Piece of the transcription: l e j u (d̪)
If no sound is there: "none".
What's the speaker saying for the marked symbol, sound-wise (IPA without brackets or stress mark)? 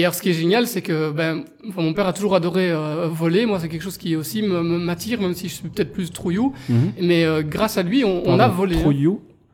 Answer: none